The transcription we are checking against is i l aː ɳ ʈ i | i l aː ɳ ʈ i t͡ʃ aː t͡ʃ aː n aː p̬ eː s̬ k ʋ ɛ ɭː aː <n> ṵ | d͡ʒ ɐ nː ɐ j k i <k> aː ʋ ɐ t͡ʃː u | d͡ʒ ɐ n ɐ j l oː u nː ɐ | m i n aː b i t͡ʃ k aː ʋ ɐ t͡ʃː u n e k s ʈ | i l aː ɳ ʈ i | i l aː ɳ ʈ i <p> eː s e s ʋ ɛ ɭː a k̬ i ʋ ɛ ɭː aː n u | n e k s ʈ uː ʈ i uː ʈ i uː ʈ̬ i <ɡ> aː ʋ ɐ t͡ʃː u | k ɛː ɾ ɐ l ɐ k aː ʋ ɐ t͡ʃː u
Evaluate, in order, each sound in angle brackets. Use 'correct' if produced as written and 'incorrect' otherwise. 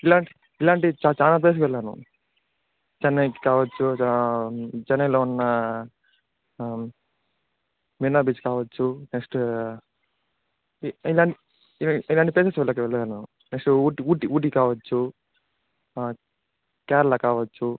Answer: correct, correct, correct, incorrect: k

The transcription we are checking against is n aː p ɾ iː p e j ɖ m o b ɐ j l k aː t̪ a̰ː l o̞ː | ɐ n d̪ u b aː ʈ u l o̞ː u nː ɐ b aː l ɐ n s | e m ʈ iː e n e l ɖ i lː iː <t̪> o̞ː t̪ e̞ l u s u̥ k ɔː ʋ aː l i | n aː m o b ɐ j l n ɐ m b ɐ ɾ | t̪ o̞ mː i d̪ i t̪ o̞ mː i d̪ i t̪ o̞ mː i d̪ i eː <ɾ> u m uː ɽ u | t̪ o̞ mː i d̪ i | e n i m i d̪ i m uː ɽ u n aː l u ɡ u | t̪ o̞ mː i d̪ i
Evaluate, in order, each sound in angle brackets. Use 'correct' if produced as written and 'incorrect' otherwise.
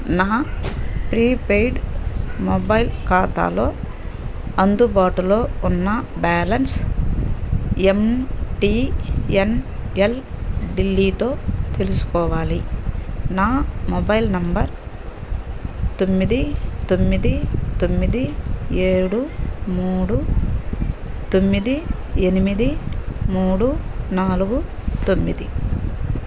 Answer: correct, incorrect: ɽ

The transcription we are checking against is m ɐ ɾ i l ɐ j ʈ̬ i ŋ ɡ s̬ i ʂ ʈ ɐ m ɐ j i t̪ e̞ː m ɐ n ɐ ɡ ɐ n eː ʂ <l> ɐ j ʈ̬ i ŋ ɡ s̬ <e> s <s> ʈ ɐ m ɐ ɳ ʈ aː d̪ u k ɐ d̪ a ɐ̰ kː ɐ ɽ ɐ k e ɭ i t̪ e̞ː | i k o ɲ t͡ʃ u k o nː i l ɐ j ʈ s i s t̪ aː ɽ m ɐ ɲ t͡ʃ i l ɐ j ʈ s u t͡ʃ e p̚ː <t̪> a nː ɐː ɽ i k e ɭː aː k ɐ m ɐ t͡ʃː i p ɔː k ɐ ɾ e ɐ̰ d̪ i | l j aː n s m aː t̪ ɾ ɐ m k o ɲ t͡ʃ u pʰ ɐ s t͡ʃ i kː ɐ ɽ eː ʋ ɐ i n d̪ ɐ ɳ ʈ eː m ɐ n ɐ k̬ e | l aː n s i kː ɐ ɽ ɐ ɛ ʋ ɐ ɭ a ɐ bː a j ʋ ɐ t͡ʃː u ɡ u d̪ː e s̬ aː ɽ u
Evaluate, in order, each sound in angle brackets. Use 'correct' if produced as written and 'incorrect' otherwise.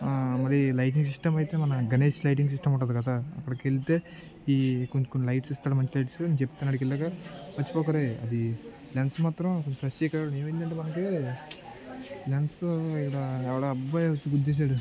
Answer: correct, incorrect: i, incorrect: ʂ, correct

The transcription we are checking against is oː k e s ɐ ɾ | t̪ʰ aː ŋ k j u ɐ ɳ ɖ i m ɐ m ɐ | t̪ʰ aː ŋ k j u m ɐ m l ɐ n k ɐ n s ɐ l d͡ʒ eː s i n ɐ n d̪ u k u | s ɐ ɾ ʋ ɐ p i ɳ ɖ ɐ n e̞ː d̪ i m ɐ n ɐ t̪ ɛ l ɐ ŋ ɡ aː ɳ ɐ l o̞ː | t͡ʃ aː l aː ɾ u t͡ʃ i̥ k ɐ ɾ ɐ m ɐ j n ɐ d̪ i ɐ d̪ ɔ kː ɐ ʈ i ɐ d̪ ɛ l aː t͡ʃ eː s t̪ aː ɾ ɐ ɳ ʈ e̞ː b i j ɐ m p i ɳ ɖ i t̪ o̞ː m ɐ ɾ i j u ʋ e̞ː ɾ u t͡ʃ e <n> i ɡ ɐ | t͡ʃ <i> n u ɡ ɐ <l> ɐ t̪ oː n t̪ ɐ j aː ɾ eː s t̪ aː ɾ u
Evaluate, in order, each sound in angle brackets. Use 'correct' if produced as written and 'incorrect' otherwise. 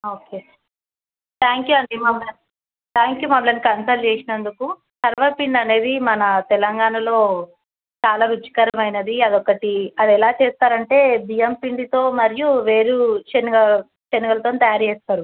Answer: correct, incorrect: e, correct

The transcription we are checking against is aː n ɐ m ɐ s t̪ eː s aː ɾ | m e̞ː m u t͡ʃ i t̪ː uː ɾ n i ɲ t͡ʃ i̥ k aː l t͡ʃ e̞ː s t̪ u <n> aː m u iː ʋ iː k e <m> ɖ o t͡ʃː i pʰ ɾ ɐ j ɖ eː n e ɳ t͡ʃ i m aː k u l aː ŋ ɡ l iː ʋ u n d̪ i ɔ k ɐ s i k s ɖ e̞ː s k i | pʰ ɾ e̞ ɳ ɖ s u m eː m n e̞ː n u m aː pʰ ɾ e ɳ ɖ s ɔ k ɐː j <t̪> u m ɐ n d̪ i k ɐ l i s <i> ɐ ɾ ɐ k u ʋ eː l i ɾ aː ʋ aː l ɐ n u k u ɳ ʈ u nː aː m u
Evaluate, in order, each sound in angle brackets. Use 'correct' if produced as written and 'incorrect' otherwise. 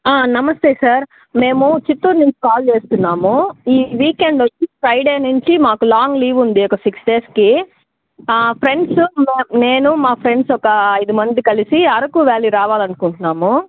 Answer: incorrect: nː, incorrect: ɳ, incorrect: d̪, correct

